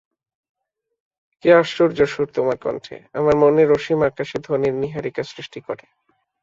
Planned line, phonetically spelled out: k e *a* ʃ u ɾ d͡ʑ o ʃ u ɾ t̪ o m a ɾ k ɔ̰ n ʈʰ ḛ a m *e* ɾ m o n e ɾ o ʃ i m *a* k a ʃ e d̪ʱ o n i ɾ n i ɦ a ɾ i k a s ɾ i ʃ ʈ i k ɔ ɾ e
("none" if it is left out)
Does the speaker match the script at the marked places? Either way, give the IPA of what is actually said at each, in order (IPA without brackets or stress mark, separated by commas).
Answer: a, a, a